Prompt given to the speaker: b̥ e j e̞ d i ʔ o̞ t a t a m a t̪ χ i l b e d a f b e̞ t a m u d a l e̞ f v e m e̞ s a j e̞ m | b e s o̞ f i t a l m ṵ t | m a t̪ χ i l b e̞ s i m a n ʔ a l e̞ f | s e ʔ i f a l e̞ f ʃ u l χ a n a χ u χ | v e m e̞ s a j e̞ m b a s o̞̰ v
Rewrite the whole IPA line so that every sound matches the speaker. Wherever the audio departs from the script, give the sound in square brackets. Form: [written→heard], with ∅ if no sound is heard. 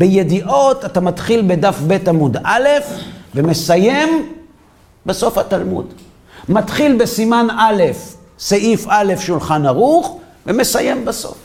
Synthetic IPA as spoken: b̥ e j e̞ d i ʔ o̞ t a t a m a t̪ χ i l b e d a f b e̞ t a m u d a l e̞ f v e m e̞ s a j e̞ m | b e s o̞ f [i→a] t a l m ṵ [t→d] | m a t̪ χ i l b e̞ s i m a n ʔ a l e̞ f | s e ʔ i f a l e̞ f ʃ u l χ a n a [χ→ʁ] u χ | v e m e̞ s a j e̞ m b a s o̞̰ [v→f]